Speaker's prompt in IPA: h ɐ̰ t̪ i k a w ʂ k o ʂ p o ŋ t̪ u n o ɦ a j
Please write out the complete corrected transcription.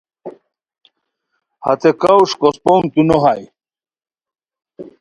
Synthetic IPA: h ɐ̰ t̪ e k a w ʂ k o s p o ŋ t̪ u n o ɦ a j